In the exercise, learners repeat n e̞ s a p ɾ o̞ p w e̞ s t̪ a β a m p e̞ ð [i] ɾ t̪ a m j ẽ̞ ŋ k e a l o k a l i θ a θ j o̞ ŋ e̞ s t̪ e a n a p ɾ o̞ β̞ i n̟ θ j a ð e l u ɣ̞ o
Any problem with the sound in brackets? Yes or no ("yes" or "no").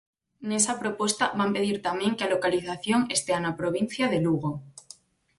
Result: no